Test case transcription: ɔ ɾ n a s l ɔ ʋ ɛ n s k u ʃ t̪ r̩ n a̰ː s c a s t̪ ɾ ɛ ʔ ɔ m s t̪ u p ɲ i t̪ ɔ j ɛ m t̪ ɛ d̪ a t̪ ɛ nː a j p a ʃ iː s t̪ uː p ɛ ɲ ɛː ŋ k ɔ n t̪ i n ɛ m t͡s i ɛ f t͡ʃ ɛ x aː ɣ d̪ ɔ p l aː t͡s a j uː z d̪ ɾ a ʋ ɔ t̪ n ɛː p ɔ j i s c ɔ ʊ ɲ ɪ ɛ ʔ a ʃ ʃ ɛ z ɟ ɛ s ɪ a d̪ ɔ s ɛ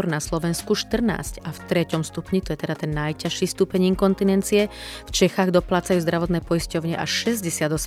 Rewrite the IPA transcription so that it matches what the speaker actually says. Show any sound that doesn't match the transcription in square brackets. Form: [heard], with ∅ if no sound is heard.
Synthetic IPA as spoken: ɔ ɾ n a s l ɔ ʋ ɛ n s k u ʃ t̪ r̩ n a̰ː s c a [f] t̪ ɾ ɛ [c] ɔ m s t̪ u p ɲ i t̪ ɔ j ɛ [∅] t̪ ɛ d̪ a t̪ ɛ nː a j [c] a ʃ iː s t̪ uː p ɛ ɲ [iː] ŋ k ɔ n t̪ i n ɛ [n] t͡s i ɛ f t͡ʃ ɛ x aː ɣ d̪ ɔ p l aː t͡s a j uː z d̪ ɾ a ʋ ɔ t̪ n ɛː p ɔ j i s c ɔ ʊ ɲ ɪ ɛ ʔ a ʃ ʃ ɛ z ɟ ɛ s ɪ a d̪ ɔ s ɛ